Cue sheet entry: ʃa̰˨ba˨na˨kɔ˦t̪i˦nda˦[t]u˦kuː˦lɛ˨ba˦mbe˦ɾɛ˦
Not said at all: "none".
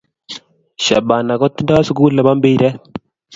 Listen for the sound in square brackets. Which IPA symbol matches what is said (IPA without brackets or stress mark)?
s